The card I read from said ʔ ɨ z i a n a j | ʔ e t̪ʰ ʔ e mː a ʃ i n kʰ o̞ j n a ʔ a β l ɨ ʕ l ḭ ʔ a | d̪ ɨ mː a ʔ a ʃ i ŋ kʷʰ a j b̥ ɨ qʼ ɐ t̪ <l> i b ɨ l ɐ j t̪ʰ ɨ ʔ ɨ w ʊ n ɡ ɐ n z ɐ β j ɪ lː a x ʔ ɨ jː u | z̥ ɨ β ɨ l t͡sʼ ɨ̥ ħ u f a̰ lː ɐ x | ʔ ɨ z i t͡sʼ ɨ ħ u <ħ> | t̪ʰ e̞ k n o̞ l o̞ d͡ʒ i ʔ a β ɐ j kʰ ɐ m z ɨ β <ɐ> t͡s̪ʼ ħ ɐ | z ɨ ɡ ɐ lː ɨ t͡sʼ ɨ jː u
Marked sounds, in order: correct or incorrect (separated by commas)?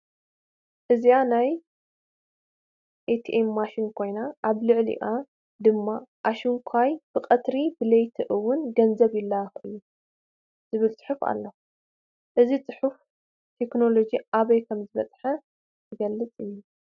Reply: incorrect, incorrect, correct